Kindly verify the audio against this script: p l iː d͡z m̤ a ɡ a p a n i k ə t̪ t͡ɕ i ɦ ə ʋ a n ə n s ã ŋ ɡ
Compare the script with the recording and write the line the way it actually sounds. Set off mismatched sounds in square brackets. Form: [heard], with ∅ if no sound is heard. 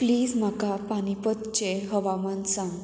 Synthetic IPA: p l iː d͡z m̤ a [k] a p a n i [p] ə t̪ t͡ɕ [e] ɦ ə ʋ a [m] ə n s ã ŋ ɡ